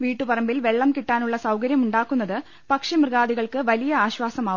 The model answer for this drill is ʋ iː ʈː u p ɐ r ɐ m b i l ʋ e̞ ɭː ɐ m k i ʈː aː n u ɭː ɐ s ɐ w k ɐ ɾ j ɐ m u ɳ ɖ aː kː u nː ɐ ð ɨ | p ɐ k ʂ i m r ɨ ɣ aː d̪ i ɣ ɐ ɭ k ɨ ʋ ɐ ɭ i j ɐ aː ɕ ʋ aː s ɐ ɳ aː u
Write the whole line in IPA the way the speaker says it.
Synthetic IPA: ʋ iː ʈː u p ɐ r ɐ m b i l ʋ e̞ ɭː ɐ m k i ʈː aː n u ɭː ɐ s ɐ w k ɐ ɾ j ɐ m u ɳ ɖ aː kː u nː ɐ ð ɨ | p ɐ k ʂ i m r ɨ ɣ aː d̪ i ɣ ɐ ɭ k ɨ ʋ ɐ l i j ɐ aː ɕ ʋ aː s ɐ m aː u